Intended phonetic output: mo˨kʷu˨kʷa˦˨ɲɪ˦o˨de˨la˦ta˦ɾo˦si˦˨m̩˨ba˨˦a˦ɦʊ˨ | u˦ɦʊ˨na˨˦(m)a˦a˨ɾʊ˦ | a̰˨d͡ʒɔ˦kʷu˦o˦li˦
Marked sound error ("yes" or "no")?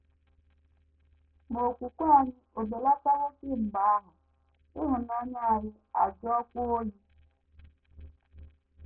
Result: yes